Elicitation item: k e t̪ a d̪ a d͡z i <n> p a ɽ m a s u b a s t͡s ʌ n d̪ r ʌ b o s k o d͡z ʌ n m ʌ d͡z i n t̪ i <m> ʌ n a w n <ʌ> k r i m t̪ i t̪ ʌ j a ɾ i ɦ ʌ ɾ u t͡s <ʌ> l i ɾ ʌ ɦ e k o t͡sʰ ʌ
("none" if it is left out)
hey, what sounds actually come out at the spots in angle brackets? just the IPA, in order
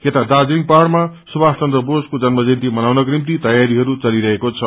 ŋ, m, ʌ, ʌ

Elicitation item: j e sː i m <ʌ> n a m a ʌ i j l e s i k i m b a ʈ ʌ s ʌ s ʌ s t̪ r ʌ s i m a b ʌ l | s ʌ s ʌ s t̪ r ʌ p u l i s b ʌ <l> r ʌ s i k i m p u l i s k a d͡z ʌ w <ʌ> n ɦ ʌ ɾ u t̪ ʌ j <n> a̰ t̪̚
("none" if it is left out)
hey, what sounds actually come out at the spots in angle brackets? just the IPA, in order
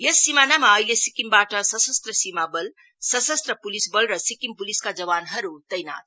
a, l, a, n

